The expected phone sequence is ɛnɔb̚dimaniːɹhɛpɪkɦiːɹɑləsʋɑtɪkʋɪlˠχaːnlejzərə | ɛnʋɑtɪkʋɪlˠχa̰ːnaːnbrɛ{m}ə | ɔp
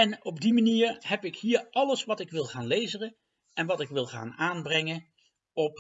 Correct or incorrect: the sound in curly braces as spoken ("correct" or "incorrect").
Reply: incorrect